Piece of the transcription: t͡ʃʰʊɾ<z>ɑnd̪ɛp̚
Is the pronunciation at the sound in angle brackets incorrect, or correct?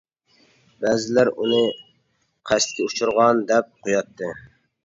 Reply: incorrect